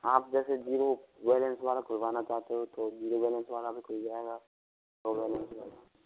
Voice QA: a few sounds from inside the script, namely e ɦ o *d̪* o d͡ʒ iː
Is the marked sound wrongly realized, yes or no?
yes